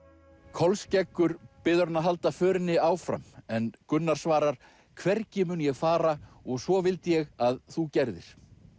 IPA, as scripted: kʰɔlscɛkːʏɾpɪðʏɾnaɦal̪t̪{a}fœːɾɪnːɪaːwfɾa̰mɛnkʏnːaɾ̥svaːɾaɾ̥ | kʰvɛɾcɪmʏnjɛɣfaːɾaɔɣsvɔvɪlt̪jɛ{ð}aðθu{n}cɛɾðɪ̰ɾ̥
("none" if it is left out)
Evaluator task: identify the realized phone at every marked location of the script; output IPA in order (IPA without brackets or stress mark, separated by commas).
a, ɣ, none